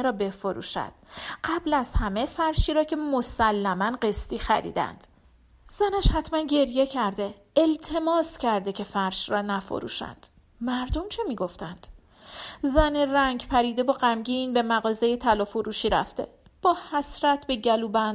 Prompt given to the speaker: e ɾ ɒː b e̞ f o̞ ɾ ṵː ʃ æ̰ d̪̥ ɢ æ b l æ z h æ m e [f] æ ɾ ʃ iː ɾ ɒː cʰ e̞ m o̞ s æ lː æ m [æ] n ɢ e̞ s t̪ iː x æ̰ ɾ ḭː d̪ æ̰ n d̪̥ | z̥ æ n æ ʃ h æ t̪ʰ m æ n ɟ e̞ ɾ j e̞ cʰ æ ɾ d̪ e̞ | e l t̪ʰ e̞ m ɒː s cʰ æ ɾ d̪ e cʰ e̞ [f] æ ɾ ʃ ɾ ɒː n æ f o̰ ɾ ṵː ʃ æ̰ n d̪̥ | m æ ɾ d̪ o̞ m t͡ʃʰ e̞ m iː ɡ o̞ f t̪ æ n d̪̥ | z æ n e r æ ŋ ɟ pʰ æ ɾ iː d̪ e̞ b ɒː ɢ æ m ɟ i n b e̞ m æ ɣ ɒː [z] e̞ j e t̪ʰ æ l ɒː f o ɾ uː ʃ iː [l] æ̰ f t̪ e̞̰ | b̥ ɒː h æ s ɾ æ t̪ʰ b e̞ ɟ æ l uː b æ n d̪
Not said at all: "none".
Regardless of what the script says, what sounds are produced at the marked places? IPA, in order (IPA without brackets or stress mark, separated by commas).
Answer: f, æ, f, z, ɾ